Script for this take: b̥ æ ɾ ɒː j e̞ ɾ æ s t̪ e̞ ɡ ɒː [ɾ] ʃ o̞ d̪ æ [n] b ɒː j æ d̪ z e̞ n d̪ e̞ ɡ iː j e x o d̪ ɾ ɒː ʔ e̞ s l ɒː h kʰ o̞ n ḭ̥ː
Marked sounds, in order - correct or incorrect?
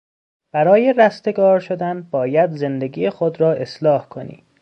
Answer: correct, correct

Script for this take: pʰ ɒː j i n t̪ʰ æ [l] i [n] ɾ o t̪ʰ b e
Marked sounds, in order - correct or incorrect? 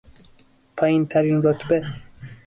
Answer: incorrect: ɾ, correct

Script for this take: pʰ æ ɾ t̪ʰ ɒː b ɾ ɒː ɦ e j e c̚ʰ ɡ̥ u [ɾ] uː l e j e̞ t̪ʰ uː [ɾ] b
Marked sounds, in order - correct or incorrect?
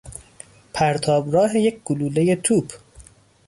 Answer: incorrect: l, incorrect: none

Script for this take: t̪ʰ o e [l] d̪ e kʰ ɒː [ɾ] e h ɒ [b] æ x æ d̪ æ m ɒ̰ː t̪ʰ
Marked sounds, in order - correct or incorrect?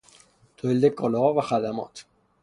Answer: correct, incorrect: l, incorrect: v

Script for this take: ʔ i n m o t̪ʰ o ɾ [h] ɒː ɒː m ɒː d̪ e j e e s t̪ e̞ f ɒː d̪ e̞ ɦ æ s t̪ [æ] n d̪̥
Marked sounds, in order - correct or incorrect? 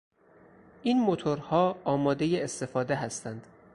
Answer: correct, correct

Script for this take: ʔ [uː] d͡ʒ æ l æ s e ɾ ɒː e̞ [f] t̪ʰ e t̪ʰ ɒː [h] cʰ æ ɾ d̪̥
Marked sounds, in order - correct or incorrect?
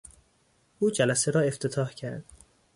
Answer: correct, correct, correct

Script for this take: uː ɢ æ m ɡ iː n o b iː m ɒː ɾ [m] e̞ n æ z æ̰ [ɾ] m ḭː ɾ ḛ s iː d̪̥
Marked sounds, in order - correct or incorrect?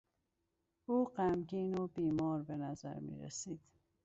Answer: incorrect: b, correct

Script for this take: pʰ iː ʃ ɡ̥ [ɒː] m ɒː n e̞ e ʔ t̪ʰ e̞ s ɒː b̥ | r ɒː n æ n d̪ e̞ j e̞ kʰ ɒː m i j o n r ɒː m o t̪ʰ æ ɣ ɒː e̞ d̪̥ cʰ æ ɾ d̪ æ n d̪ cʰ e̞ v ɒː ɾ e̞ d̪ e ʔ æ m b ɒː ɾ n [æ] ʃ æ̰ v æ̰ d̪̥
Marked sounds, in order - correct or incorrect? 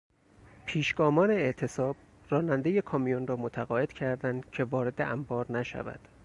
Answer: correct, correct

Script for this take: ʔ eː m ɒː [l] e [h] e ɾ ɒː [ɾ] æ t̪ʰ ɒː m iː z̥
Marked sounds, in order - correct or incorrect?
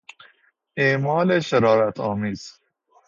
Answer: correct, incorrect: ʃ, correct

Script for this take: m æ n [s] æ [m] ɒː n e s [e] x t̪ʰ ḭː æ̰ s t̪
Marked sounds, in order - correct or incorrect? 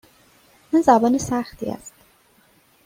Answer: incorrect: z, incorrect: b, incorrect: æ

